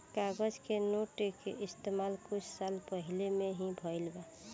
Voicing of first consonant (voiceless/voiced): voiceless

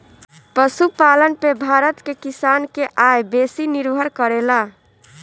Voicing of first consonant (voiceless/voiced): voiceless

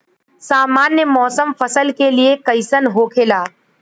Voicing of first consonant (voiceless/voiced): voiceless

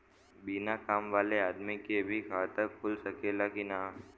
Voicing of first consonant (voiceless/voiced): voiced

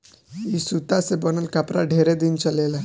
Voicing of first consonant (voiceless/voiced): voiceless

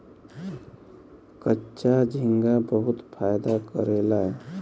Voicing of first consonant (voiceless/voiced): voiceless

